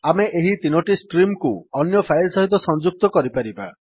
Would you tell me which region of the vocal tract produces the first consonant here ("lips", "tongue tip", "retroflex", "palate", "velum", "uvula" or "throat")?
lips